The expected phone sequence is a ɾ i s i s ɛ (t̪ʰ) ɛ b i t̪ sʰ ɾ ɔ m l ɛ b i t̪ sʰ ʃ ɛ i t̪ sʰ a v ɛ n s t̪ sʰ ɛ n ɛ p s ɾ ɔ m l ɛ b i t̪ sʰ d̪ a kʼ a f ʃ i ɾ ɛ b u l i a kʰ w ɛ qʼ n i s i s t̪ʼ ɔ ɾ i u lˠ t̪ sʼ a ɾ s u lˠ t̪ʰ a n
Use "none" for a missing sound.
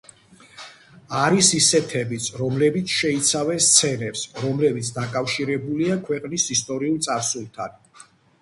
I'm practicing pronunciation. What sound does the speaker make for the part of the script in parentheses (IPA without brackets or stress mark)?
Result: t̪ʰ